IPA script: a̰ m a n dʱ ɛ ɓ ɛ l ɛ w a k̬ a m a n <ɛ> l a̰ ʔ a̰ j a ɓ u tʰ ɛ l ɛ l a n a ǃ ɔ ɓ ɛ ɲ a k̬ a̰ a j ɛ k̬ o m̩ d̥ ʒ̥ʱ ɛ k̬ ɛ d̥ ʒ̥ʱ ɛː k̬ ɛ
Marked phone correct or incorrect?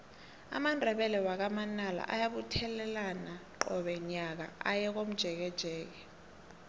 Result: incorrect: a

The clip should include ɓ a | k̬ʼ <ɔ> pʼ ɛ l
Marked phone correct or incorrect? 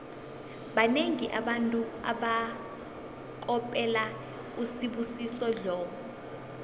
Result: correct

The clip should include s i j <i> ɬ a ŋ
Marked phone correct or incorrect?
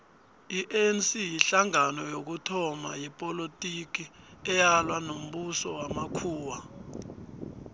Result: correct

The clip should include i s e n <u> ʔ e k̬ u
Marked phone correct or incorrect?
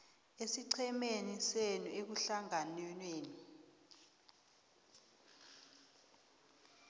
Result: correct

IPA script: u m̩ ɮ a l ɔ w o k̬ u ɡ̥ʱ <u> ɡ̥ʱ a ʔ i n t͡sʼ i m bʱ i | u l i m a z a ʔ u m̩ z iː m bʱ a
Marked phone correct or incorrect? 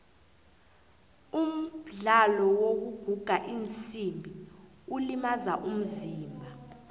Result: correct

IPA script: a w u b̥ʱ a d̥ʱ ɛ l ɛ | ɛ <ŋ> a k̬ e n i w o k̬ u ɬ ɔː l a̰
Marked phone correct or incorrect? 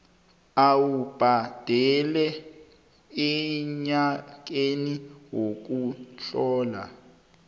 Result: incorrect: ɲ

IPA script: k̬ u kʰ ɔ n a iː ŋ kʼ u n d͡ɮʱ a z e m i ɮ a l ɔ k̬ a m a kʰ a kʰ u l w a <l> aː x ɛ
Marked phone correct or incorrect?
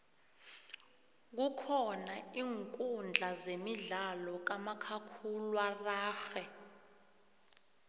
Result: incorrect: r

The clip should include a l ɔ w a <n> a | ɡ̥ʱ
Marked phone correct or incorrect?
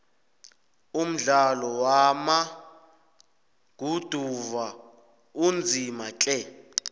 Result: incorrect: m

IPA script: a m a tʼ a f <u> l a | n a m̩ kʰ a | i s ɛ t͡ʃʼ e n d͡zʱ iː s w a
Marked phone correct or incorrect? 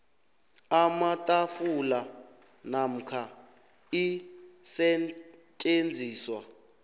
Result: correct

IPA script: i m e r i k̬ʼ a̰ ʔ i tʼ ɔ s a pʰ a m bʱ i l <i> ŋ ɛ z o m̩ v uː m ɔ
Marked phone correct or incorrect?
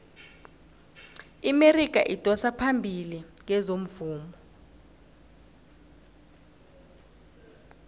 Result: correct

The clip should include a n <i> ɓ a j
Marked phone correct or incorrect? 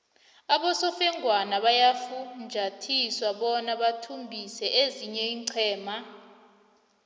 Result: incorrect: a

